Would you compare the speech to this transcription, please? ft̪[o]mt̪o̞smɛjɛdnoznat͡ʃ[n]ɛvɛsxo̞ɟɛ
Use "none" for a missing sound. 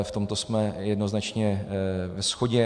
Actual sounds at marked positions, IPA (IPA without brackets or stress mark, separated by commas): o, ɲ